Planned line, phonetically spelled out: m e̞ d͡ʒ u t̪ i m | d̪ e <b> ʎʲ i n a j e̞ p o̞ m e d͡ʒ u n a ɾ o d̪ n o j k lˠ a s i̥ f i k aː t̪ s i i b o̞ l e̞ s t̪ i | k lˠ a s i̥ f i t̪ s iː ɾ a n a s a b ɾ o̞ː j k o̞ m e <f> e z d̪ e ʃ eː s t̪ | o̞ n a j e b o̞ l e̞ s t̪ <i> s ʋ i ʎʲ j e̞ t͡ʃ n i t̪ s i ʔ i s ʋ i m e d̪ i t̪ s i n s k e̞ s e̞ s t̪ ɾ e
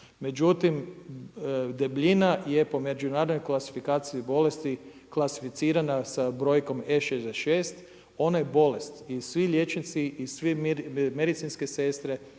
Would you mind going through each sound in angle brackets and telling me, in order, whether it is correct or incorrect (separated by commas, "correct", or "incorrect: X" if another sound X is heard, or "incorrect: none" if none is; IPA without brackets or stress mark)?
correct, incorrect: ʃ, correct